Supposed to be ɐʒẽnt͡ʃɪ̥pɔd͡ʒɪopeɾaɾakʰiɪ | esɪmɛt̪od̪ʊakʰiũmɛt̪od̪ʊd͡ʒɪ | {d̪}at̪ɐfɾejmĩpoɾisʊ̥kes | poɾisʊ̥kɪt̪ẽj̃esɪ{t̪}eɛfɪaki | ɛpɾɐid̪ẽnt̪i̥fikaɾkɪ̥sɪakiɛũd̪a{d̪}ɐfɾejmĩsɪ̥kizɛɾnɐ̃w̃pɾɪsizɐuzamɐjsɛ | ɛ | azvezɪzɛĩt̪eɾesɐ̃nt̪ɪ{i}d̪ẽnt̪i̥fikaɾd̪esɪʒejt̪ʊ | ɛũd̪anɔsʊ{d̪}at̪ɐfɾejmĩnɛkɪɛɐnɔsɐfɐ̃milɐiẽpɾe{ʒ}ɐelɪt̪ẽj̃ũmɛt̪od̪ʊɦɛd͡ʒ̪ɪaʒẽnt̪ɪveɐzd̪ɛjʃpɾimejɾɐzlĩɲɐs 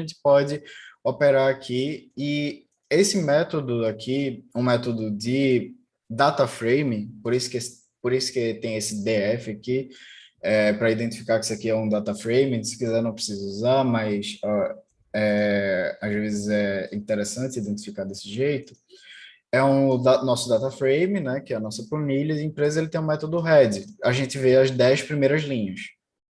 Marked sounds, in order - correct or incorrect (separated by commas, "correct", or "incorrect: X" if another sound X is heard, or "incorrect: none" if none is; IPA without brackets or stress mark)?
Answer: correct, incorrect: d̪, incorrect: t̪, correct, correct, incorrect: z